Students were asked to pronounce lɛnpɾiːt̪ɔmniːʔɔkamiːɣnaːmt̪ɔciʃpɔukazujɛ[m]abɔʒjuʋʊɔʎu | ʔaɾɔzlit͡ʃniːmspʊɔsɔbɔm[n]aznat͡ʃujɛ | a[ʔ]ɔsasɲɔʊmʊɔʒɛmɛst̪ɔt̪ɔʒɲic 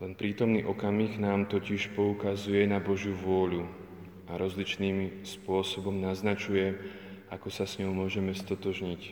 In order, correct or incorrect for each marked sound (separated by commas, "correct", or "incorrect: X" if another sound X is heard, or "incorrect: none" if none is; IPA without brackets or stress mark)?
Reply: incorrect: n, correct, incorrect: k